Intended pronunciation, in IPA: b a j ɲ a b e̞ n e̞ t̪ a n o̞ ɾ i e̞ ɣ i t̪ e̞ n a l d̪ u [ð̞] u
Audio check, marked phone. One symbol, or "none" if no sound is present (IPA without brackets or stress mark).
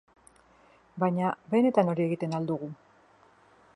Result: ɣ̞